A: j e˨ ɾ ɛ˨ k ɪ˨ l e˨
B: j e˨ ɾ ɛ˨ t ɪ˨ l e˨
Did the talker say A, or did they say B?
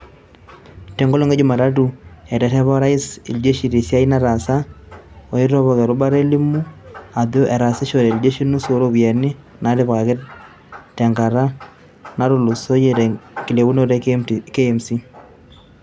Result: A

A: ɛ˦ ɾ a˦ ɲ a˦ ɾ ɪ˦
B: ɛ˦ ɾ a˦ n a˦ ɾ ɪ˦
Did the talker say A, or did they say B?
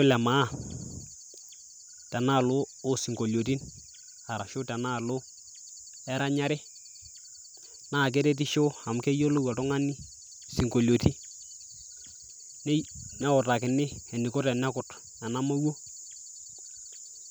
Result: A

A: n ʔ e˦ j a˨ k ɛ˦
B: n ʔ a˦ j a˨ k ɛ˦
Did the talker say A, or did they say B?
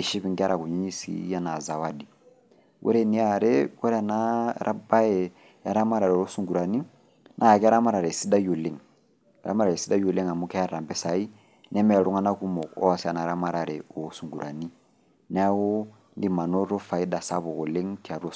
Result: B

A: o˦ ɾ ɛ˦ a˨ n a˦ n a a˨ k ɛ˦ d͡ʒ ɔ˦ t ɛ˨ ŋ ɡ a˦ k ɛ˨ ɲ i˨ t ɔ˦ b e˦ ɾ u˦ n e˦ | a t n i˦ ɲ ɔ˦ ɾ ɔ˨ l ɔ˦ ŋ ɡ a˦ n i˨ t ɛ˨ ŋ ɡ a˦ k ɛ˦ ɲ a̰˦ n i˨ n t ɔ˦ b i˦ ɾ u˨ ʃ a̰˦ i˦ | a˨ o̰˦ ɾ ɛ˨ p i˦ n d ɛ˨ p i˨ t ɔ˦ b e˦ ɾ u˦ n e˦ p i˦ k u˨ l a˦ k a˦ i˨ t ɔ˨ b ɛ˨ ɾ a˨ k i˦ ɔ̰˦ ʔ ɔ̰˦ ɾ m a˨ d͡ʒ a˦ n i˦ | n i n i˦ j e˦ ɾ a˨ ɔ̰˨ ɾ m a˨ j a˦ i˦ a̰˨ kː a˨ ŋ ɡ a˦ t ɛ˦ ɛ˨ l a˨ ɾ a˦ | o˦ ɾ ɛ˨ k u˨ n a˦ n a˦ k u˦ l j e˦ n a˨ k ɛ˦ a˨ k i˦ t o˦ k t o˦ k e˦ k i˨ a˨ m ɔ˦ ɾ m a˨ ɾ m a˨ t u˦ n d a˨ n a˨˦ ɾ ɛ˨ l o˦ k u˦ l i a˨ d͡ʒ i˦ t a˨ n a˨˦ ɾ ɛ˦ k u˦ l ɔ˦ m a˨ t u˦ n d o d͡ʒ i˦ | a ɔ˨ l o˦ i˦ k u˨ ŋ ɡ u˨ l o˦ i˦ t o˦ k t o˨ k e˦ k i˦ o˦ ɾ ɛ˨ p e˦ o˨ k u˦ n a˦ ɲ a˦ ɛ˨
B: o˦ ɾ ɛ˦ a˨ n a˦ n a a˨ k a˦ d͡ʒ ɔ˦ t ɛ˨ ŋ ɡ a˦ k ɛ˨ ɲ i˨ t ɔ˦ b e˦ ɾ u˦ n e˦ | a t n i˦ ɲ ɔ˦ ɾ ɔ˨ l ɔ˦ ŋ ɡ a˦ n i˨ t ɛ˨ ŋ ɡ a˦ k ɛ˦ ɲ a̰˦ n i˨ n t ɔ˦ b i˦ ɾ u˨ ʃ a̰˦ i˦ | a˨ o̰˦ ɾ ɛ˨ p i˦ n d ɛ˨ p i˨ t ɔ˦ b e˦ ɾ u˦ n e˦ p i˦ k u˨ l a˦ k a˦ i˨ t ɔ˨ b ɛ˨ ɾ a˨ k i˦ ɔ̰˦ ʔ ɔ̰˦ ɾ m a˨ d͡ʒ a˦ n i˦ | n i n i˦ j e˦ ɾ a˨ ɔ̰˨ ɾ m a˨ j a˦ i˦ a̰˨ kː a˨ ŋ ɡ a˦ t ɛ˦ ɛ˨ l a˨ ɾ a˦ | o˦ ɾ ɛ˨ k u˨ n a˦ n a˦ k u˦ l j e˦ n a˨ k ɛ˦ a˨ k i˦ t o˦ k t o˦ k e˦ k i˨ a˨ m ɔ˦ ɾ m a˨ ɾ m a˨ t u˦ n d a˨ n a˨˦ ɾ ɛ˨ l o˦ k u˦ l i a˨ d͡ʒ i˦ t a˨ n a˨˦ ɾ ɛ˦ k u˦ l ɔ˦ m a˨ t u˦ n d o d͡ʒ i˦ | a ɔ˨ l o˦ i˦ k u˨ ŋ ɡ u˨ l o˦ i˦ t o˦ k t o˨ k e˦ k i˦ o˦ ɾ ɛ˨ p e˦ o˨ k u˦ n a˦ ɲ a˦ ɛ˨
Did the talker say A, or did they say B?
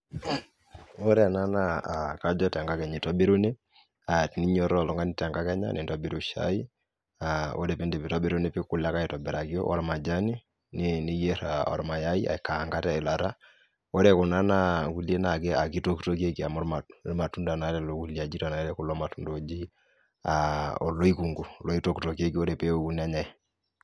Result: B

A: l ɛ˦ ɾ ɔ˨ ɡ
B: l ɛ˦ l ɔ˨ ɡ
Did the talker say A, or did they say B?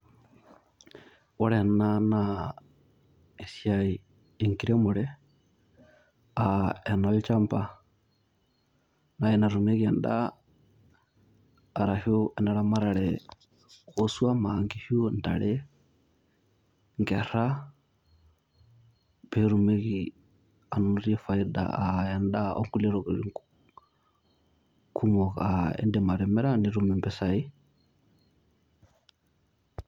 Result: A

